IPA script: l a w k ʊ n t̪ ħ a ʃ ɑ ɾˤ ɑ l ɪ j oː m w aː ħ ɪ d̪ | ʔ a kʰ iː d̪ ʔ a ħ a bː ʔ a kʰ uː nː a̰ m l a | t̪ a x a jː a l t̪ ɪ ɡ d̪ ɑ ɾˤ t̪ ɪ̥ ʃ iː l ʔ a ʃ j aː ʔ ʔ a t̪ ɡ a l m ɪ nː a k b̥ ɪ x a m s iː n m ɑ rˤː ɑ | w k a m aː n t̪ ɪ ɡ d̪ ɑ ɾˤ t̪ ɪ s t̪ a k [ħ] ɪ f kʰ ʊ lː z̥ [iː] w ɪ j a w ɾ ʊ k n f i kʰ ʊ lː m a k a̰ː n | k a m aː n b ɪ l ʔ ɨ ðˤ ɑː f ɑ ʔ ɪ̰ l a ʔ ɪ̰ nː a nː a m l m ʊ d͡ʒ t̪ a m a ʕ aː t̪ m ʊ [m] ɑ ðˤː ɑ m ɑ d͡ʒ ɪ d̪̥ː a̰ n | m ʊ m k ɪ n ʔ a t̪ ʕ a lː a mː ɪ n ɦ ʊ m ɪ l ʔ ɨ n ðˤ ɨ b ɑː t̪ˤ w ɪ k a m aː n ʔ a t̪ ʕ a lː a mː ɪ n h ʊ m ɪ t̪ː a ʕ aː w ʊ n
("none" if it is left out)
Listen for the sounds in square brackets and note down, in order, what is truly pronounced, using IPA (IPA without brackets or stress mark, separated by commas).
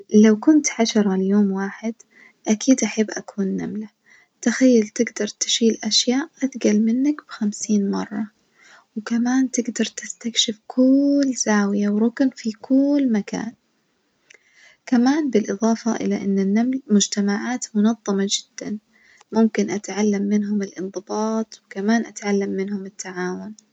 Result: ʃ, aː, n